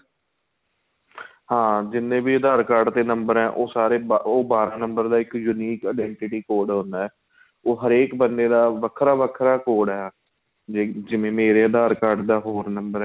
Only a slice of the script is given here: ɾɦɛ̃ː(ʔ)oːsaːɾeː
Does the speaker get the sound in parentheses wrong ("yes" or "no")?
no